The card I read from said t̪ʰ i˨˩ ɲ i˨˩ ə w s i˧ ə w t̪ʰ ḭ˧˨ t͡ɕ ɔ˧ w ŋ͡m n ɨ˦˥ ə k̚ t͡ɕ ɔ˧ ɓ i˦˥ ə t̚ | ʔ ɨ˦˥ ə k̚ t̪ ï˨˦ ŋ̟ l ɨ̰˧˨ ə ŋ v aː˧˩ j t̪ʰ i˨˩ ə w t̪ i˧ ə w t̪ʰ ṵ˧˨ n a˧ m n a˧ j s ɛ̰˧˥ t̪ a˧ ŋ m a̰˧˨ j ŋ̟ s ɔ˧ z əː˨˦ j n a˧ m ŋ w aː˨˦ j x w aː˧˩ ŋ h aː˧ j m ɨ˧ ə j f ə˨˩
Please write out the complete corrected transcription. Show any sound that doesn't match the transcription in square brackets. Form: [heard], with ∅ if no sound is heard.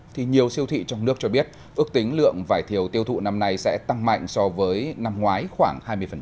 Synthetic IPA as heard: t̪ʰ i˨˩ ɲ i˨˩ ə w s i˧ ə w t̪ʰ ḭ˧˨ t͡ɕ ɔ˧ w ŋ͡m n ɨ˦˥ ə k̚ t͡ɕ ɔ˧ ɓ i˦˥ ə t̚ | ʔ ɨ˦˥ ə k̚ t̪ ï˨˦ ŋ̟ l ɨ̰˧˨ ə ŋ v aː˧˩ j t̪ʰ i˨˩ ə w t̪ i˧ ə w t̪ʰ ṵ˧˨ n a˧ m n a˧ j s ɛ̰˧˥ t̪ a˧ ŋ m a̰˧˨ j ŋ̟ s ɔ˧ [v] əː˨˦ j n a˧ m ŋ w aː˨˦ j x w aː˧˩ ŋ h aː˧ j m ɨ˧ ə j f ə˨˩